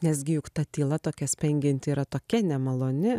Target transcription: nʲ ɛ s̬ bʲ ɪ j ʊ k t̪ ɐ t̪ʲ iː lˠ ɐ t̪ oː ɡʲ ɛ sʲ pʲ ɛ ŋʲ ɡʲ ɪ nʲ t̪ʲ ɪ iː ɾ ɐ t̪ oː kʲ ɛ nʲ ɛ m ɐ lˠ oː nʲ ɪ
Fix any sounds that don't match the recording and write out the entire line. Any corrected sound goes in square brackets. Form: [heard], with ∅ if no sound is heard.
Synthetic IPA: nʲ ɛ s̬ [ɡʲ] ɪ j ʊ k t̪ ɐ t̪ʲ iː lˠ ɐ t̪ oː [kʲ] ɛ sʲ pʲ ɛ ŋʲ ɡʲ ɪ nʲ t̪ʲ ɪ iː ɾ ɐ t̪ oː kʲ ɛ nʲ ɛ m ɐ lˠ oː nʲ ɪ